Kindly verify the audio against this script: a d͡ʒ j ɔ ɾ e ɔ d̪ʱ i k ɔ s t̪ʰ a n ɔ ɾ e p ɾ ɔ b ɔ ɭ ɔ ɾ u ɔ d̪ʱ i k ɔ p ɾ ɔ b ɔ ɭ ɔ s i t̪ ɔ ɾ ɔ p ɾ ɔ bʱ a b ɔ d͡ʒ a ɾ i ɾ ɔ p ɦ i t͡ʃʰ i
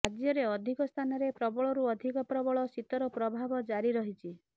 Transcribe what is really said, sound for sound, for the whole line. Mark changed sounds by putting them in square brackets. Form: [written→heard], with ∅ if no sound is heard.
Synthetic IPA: a d͡ʒ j ɔ ɾ e ɔ d̪ʱ i k ɔ s t̪ʰ a n ɔ ɾ e p ɾ ɔ b ɔ ɭ ɔ ɾ u ɔ d̪ʱ i k ɔ p ɾ ɔ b ɔ ɭ ɔ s i t̪ ɔ ɾ ɔ p ɾ ɔ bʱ a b ɔ d͡ʒ a ɾ i ɾ ɔ [p→∅] ɦ i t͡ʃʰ i